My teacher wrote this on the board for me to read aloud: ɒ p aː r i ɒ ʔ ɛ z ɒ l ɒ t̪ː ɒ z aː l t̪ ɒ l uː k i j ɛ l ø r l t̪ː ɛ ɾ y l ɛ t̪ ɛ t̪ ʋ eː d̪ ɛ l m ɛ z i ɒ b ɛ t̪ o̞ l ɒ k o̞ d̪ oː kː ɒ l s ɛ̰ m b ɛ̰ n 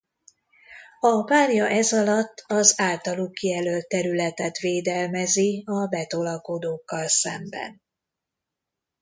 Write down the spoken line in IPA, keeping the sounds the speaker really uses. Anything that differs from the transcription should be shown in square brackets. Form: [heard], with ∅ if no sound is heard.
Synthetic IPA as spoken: ɒ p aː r [j] ɒ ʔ ɛ z ɒ l ɒ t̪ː ɒ z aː l t̪ ɒ l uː k i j ɛ l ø [∅] l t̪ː ɛ ɾ y l ɛ t̪ ɛ t̪ ʋ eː d̪ ɛ l m ɛ z i ɒ b ɛ t̪ o̞ l ɒ k o̞ d̪ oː kː ɒ l s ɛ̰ m b ɛ̰ n